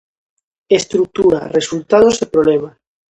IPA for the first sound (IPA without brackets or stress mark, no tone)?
e